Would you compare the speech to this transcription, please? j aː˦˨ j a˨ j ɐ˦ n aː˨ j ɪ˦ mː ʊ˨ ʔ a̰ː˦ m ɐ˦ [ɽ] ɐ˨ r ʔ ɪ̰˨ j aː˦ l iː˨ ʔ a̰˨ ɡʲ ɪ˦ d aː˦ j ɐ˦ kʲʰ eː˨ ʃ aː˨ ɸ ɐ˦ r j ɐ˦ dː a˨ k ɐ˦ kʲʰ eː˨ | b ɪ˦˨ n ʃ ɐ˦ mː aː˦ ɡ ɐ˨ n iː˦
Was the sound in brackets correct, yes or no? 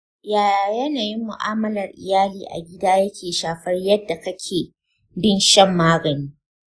no